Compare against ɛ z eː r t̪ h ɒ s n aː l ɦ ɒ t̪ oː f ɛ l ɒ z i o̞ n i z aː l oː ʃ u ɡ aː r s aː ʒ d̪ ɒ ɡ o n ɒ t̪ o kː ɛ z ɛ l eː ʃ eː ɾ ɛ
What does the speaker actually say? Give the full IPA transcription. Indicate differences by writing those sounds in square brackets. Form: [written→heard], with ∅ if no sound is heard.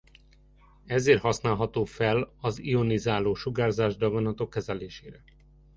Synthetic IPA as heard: ɛ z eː r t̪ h ɒ s n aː l ɦ ɒ t̪ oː f ɛ l ɒ z i o̞ n i z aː l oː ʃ u ɡ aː r [s→z] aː ʒ d̪ ɒ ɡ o n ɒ t̪ o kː ɛ z ɛ l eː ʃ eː ɾ ɛ